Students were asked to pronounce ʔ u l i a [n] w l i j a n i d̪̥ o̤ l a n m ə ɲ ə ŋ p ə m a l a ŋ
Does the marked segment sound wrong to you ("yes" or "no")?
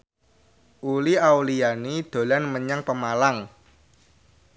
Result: yes